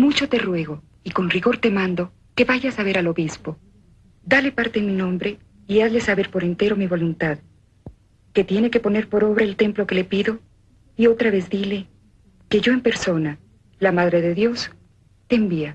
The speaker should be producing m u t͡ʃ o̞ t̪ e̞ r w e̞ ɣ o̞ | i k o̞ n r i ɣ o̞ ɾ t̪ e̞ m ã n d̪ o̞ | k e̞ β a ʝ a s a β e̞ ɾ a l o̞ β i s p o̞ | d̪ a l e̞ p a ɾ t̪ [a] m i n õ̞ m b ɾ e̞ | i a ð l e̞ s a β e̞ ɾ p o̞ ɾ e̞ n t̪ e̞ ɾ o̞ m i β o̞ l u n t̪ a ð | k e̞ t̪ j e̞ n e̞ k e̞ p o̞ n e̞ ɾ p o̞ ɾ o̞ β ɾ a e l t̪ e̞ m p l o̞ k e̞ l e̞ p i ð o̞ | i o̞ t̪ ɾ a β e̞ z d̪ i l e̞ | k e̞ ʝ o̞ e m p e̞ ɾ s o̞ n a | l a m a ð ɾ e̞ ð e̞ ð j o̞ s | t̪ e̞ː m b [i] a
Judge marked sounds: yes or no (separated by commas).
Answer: no, yes